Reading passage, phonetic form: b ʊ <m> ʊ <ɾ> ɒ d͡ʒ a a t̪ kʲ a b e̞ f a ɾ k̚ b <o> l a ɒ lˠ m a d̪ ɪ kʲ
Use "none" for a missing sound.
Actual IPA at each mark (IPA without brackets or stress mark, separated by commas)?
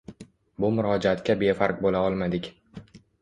m, ɾ, o